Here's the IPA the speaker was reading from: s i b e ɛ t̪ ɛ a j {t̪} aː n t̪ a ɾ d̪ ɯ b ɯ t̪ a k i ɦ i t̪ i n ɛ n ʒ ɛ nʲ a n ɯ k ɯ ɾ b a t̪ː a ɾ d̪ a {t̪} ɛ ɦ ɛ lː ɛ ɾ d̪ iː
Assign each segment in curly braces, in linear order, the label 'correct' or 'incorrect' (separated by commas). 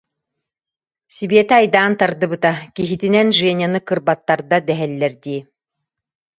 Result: incorrect, incorrect